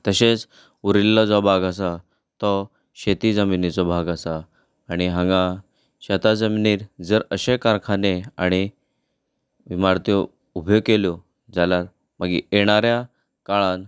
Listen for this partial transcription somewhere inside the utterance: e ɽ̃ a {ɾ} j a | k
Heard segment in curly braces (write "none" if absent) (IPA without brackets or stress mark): ɾ